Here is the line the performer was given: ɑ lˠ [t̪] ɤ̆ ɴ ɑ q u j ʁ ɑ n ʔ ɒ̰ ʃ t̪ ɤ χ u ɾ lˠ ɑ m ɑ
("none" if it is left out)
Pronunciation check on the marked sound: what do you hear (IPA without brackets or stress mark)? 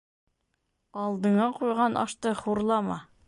d̪